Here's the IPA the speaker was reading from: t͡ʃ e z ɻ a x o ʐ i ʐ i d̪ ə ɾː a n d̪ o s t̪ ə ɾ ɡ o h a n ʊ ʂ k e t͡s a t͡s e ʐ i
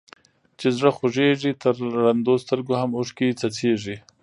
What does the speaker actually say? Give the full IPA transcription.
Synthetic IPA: t͡ʃ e z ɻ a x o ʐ e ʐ i t̪ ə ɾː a n d̪ o s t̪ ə ɾ ɡ o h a m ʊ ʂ k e t͡s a t͡s e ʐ i

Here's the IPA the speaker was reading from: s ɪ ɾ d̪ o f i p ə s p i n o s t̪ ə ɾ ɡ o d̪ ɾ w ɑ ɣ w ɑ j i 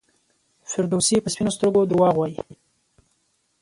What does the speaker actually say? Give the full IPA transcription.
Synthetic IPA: f ɪ ɾ d̪ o s i p ə s p i n o s t̪ ə ɾ ɡ o d̪ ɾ w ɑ ɣ w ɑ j i

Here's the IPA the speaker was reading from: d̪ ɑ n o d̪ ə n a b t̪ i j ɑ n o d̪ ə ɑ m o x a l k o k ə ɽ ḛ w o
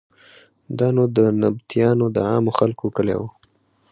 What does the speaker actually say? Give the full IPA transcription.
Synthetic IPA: d̪ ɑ n o d̪ ə n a b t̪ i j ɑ n o d̪ ə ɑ m o x a l k o k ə l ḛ w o

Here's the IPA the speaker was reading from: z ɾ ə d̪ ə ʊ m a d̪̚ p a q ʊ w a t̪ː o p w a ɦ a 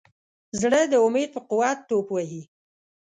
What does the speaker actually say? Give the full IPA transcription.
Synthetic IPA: z ɽ ə d̪ ə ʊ m e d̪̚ p ə q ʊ w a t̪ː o p w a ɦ i

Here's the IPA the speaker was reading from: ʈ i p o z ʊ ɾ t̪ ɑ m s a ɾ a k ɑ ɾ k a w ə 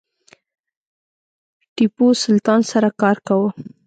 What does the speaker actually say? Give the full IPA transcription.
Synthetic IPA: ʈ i p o s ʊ l t̪ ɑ n s a ɾ a k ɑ ɾ k a w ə

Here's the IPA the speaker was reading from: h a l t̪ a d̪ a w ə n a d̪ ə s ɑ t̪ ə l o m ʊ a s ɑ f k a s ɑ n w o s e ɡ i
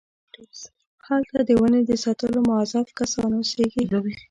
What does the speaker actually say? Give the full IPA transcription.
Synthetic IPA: h a l t̪ a d̪ ə w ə n e d̪ ə s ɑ t̪ ə l o m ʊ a z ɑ f k a s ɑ n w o s e ɡ i

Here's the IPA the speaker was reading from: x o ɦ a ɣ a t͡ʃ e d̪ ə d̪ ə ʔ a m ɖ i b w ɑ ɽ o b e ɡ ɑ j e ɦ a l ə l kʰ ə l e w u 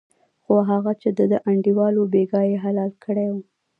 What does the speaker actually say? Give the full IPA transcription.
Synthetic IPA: x o ɦ a ɣ a t͡ʃ e d̪ ə d̪ ə ʔ a ɳ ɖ i w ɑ l o b e ɡ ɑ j e ɦ a l ɑ l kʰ ə ɽ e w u

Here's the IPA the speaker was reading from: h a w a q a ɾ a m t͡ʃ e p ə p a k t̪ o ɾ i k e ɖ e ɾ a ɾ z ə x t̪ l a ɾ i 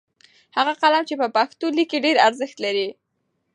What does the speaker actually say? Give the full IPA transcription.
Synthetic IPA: h a ɣ a q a l a m t͡ʃ e p ə p a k t̪ o l i k e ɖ e ɾ a ɾ z ə x t̪ l a ɾ i

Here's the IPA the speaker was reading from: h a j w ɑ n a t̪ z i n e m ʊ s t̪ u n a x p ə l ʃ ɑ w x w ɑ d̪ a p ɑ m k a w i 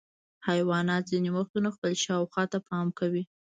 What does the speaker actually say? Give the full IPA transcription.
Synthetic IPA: h a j w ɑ n ɑ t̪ z i n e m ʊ x t̪ u n a x p ə l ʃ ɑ w x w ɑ t̪ a p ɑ m k a w i

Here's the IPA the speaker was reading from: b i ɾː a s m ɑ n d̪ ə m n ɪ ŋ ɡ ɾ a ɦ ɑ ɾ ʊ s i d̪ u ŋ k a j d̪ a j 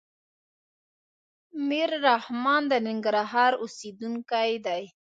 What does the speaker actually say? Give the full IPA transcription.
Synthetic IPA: m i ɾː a h m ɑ n d̪ ə n ɪ ŋ ɡ ɾ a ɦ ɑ ɾ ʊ s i d̪ u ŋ k a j d̪ a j

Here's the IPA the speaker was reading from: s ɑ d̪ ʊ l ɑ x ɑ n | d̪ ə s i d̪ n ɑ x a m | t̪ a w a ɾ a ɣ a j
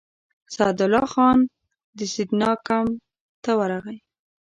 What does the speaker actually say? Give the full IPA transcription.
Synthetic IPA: s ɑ d̪ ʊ l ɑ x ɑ n | d̪ ə s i d̪ n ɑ k a m | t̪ a w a ɾ a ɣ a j

